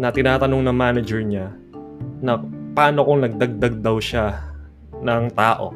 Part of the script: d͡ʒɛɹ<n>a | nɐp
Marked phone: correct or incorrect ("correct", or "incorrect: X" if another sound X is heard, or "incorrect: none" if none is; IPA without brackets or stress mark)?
incorrect: ɲ